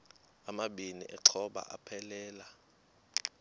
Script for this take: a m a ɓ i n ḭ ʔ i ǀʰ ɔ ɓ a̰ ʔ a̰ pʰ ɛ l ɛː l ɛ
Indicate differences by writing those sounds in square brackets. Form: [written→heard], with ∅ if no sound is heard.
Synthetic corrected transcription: a m a ɓ i n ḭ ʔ [i→ɛ] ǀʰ ɔ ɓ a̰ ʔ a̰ pʰ ɛ l ɛː l [ɛ→a]